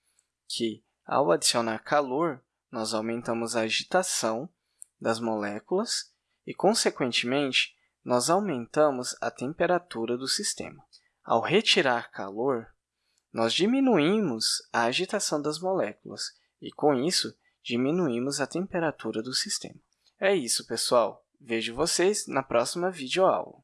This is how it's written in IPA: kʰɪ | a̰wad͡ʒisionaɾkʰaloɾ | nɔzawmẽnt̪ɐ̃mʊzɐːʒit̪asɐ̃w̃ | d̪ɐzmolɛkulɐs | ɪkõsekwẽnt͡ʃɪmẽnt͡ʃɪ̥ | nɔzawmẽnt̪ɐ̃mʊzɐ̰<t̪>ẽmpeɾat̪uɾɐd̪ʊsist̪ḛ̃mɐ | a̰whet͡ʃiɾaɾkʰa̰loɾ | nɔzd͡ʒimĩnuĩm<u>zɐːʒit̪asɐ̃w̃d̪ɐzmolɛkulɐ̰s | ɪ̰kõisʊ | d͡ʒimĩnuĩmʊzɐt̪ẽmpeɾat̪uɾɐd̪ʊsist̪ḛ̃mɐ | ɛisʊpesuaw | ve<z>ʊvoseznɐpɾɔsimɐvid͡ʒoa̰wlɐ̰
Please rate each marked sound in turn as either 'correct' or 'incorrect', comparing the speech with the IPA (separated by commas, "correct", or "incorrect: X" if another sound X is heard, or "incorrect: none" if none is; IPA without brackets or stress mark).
correct, incorrect: ʊ, incorrect: ʒ